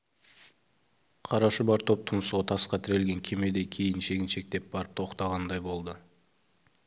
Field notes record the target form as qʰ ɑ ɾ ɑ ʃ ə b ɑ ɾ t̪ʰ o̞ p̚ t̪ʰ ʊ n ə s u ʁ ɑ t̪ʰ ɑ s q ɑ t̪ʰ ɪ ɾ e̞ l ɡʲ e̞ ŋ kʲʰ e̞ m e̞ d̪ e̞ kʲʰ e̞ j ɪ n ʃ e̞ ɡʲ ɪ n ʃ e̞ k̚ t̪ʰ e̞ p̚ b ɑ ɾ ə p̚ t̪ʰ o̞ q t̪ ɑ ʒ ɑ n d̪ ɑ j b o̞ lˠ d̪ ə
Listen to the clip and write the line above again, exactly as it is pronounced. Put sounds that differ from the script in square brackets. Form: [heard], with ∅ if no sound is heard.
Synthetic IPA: qʰ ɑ ɾ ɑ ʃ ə b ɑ ɾ t̪ʰ o̞ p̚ t̪ʰ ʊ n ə s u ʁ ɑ t̪ʰ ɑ s q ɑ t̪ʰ ɪ ɾ e̞ l ɡʲ e̞ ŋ kʲʰ e̞ m e̞ d̪ e̞ kʲʰ e̞ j ɪ n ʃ e̞ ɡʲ ɪ n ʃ e̞ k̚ [t̪] e̞ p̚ b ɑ ɾ ə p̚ t̪ʰ o̞ q t̪ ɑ [ʁ] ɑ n d̪ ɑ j b o̞ lˠ d̪ ə